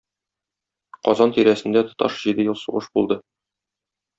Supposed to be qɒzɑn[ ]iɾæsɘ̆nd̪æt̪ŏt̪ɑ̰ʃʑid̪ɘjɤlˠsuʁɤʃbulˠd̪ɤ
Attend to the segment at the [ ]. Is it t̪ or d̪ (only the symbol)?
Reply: t̪